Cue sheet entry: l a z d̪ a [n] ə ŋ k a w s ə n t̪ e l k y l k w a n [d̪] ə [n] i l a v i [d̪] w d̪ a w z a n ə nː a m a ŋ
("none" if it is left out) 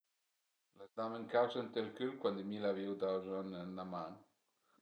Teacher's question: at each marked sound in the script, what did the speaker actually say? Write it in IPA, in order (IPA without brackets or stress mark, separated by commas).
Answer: m, d̪, m, none